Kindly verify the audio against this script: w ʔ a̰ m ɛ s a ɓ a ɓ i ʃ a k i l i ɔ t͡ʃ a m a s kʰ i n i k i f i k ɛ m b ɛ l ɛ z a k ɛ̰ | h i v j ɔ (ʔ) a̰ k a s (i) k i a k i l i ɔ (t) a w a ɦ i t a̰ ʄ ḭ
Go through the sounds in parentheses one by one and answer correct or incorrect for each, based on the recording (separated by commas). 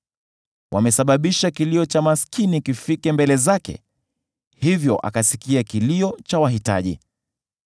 correct, correct, incorrect